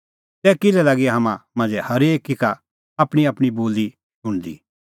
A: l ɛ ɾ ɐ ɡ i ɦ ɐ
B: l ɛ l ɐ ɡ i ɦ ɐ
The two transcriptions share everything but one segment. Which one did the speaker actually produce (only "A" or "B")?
B